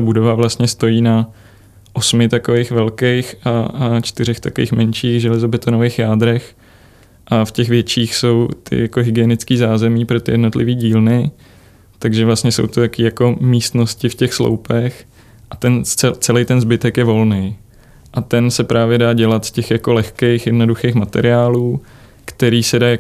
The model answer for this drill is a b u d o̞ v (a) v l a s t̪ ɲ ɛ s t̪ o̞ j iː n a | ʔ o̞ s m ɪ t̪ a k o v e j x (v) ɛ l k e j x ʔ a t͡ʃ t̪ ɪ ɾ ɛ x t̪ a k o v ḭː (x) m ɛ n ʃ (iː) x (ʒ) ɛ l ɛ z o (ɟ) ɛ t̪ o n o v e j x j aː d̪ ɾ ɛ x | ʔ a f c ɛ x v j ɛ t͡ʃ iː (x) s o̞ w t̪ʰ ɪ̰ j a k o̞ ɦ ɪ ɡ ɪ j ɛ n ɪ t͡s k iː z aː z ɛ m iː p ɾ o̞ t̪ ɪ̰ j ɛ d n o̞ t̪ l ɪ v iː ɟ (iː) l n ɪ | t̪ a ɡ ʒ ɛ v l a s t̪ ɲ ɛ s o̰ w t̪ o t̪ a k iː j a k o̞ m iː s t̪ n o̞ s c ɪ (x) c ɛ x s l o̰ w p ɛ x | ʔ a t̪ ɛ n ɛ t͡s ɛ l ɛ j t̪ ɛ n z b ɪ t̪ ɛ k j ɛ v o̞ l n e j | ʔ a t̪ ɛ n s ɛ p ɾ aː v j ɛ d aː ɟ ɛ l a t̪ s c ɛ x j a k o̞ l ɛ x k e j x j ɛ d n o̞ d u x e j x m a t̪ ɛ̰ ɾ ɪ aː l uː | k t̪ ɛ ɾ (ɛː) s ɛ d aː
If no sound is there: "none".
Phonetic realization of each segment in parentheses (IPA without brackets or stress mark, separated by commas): a, v, x, iː, ʒ, b, x, iː, f, iː